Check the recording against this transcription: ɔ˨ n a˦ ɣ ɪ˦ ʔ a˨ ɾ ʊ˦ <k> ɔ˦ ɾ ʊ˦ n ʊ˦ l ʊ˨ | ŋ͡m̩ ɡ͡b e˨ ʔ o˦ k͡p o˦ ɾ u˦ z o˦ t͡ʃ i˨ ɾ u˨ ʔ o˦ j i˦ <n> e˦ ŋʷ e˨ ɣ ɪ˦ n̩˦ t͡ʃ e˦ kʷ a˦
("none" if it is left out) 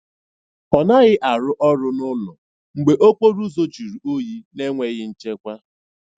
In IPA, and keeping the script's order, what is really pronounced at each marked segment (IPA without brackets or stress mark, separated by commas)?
ʔ, n